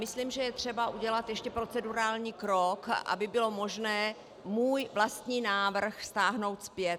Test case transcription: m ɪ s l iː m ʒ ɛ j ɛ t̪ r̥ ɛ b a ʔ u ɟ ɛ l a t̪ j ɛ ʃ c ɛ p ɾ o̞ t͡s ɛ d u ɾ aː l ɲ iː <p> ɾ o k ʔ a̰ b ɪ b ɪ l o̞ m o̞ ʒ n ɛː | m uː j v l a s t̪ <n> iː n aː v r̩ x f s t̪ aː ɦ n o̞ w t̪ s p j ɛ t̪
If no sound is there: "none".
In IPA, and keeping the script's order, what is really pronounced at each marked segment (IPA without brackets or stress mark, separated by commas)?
k, ɲ